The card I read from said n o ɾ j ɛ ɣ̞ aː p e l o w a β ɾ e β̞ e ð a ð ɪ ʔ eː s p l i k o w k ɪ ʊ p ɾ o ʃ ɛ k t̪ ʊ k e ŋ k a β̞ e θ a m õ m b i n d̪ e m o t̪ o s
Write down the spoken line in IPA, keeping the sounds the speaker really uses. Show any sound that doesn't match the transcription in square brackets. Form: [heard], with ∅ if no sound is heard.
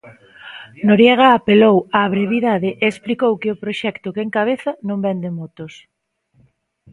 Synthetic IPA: n o ɾ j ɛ ɣ̞ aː p e l o w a β ɾ e β̞ [i] ð a ð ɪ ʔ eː s p l i k o w k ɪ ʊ p ɾ o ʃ ɛ k t̪ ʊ k e ŋ k a β̞ e θ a [n] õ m b [ɛ] n d̪ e m o t̪ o s